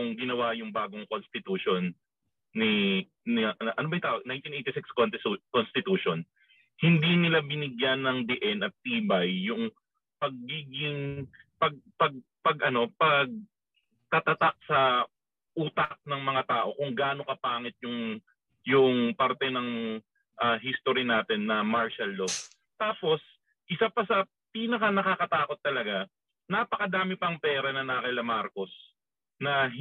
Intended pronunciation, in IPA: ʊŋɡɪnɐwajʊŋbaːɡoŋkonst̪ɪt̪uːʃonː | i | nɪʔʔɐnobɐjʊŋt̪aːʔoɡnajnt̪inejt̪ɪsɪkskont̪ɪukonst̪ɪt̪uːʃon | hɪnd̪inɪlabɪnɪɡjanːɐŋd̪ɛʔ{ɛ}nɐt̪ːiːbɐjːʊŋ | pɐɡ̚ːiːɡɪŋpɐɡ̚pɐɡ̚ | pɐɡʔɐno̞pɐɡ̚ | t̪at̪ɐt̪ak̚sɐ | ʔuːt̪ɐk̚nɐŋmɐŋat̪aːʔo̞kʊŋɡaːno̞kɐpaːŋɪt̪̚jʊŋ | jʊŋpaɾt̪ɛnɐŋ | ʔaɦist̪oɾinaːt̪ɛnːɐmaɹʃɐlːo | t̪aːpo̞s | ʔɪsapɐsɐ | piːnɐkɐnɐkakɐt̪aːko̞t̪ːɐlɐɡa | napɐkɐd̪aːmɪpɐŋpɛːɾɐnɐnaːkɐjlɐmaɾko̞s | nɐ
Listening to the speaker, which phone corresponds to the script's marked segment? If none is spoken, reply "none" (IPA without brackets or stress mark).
ɛ